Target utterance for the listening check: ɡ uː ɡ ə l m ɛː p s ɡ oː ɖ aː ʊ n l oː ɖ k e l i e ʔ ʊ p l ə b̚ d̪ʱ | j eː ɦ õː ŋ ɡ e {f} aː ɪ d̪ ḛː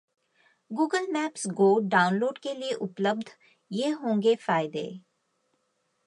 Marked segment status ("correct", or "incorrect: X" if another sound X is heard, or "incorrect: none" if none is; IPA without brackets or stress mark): correct